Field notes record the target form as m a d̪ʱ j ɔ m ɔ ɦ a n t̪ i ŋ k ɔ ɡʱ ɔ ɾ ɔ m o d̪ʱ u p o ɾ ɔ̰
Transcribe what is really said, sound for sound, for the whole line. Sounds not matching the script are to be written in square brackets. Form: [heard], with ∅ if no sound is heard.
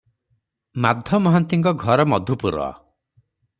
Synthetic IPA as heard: m a d̪ʱ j ɔ m ɔ ɦ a n t̪ i ŋ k ɔ ɡʱ ɔ ɾ ɔ m [ɔ] d̪ʱ u p [u] ɾ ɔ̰